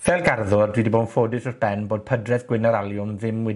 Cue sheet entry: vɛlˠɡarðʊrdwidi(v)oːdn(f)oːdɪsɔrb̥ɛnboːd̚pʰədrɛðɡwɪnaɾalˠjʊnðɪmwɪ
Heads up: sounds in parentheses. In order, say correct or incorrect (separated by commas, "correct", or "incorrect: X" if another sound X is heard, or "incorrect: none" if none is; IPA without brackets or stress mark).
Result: incorrect: b, correct